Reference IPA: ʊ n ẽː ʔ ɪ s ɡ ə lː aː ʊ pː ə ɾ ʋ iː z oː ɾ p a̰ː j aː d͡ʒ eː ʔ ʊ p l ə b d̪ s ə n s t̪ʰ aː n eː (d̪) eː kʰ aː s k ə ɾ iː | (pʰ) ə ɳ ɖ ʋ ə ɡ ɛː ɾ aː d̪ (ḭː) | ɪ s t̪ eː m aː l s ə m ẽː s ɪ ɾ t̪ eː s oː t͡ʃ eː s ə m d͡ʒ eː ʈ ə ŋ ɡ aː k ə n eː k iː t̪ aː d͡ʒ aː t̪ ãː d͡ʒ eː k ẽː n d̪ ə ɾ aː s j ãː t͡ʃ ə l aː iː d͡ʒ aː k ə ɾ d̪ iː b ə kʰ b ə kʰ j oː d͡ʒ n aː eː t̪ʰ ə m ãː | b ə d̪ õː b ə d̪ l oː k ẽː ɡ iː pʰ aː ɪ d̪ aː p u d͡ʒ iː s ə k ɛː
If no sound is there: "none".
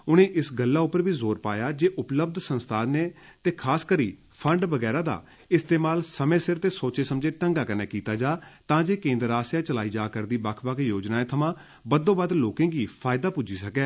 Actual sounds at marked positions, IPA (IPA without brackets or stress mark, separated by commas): t̪, pʰ, a̰ː